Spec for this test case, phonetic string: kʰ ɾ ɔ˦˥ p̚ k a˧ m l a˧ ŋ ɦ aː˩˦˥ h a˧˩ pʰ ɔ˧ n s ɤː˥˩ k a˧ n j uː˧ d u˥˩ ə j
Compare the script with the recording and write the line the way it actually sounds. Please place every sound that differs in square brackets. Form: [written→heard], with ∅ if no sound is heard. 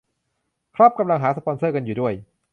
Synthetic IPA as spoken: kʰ ɾ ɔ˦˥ p̚ k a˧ m l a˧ ŋ ɦ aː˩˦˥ [h→s] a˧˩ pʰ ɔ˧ n s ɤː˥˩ k a˧ n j [uː˧→uː˨˩] d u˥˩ ə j